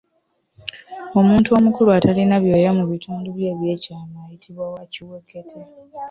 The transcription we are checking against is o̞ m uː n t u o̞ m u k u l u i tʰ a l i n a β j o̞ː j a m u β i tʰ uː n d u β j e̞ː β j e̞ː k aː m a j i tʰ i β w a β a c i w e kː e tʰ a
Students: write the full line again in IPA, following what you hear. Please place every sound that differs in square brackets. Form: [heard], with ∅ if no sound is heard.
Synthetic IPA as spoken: o̞ m uː n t u o̞ m u k u l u [a] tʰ a l i n a β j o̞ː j a m u β i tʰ uː n d u β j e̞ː β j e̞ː [c] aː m a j i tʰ i β w a [w] a c i w e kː e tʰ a